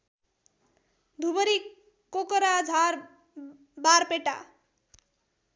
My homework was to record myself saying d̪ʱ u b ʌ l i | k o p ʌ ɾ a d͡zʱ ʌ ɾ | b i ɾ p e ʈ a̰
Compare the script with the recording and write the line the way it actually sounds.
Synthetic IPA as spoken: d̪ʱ u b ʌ ɾ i | k o k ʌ ɾ a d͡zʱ a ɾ | b a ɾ p e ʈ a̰